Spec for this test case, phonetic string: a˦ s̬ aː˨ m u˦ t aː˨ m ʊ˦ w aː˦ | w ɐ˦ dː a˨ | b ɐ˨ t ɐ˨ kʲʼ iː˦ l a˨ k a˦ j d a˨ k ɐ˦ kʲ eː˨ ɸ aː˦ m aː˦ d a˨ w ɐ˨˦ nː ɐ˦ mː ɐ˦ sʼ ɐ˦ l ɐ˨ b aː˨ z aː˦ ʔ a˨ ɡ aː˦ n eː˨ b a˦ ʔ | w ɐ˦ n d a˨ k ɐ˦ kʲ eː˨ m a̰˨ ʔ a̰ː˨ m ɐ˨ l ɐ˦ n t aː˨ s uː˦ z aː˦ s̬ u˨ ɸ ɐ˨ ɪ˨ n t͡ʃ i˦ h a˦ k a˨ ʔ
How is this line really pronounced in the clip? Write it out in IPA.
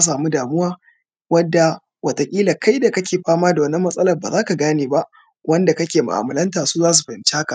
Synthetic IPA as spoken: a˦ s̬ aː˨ m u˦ d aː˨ m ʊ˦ w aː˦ | w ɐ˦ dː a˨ | w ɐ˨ t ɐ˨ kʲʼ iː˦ l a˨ k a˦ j d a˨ k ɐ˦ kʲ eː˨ ɸ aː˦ m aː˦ d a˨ w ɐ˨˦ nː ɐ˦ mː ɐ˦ sʼ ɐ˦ l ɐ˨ b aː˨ z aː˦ k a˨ ɡ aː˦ n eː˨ b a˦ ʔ | w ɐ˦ n d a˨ k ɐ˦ kʲ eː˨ m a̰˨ ʔ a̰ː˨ m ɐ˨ l ɐ˦ n t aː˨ s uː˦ z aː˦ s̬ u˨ ɸ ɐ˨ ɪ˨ n t͡ʃ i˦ h a˦ k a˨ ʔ